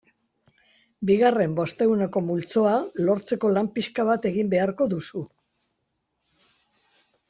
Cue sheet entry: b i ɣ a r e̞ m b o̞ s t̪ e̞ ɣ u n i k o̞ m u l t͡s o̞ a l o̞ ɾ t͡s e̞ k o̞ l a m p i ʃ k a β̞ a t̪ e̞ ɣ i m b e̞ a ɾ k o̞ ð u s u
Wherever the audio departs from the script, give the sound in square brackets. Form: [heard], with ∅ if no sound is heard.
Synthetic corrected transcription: b i ɣ a r e̞ m b o̞ s t̪ e̞ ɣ u n [e] k o̞ m u l t͡s o̞ a l o̞ ɾ t͡s e̞ k o̞ l a m p i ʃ k a β̞ a t̪ e̞ ɣ i m b e̞ a ɾ k o̞ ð u s u